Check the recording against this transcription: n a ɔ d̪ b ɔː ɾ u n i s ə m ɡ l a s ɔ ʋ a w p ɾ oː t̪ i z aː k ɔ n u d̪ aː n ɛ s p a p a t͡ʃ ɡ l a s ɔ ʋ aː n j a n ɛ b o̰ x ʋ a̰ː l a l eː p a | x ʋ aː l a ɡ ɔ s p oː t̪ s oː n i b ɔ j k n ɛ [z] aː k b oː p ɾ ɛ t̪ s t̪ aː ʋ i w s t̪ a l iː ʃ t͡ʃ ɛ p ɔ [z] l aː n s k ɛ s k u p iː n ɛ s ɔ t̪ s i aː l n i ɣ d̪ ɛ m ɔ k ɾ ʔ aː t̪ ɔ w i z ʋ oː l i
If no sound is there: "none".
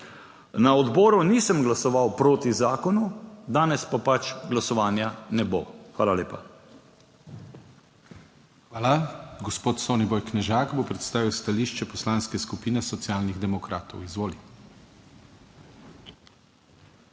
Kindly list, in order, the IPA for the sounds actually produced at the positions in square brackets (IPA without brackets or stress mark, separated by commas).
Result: ʒ, s